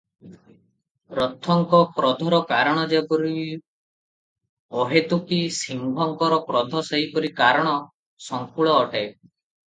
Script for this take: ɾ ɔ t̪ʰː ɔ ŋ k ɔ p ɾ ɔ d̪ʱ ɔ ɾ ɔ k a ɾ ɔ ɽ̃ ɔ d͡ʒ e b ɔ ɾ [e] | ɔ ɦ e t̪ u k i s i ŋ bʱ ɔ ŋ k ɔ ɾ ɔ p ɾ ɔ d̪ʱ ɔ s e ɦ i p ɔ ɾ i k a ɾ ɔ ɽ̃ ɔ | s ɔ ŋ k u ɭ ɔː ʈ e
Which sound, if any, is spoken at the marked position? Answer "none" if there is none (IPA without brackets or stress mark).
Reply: i